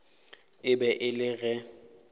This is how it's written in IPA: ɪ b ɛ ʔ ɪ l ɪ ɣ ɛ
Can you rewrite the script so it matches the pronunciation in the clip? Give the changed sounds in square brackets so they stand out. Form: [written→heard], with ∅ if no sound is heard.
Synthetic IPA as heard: ɪ b ɛ ʔ ɪ l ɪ ɣ ɛ